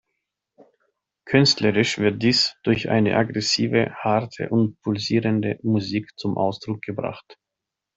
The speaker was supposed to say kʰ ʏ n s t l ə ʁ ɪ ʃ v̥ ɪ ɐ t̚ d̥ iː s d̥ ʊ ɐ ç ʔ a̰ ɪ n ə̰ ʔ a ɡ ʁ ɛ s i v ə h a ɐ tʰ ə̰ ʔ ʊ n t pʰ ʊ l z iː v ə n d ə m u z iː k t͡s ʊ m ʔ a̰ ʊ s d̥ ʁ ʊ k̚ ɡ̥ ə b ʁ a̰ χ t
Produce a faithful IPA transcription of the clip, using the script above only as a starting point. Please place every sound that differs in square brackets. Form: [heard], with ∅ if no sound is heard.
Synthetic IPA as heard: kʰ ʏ n s t l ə ʁ ɪ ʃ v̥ ɪ ɐ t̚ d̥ iː s d̥ ʊ ɐ ç ʔ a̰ ɪ n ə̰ ʔ a ɡ ʁ ɛ s [iː] v ə h a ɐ tʰ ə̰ ʔ ʊ n t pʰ ʊ l z iː [ʁ] ə n d ə m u z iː k t͡s ʊ m ʔ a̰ ʊ s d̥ ʁ ʊ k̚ ɡ̥ ə b ʁ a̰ χ t